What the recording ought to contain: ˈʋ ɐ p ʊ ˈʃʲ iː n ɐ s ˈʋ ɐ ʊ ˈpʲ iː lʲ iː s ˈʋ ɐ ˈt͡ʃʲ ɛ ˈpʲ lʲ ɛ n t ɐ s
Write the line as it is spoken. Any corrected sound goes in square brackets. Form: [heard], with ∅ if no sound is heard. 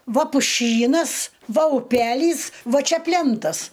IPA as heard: ˈʋ ɐ p ʊ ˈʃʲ iː n ɐ s ˈʋ ɐ ʊ ˈpʲ [æː] lʲ iː s ˈʋ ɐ ˈt͡ʃʲ ɛ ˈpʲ lʲ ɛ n t ɐ s

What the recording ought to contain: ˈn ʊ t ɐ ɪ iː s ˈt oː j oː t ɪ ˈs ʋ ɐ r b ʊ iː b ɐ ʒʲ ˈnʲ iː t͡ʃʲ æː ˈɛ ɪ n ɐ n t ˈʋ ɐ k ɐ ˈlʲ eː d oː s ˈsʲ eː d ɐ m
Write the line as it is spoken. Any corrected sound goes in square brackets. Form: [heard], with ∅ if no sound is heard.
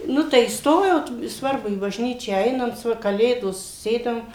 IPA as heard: ˈn ʊ t ɐ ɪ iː s ˈt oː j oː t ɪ ˈs ʋ ɐ r b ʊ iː b ɐ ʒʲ ˈnʲ iː t͡ʃʲ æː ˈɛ ɪ n ɐ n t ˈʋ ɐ k ɐ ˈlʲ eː d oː s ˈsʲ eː d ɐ m

